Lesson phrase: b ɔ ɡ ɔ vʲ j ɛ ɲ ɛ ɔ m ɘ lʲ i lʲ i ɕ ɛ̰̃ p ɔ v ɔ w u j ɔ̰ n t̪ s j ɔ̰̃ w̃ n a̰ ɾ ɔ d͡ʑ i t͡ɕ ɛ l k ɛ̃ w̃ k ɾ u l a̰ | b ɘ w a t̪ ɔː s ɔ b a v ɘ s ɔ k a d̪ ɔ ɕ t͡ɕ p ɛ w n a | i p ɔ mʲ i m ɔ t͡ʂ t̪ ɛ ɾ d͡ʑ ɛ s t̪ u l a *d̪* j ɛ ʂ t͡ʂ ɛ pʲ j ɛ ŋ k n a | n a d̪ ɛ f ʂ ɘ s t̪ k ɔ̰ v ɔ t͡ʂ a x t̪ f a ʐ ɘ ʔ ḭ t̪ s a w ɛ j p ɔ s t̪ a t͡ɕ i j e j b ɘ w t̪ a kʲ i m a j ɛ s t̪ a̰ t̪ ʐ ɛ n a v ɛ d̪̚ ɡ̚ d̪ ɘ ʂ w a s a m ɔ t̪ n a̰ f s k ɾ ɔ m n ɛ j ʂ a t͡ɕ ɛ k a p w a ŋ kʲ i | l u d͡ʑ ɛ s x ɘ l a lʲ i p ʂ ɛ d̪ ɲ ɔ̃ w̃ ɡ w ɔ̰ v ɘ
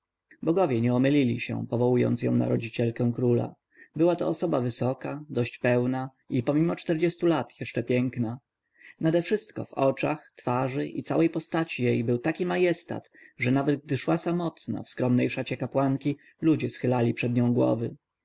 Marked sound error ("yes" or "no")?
yes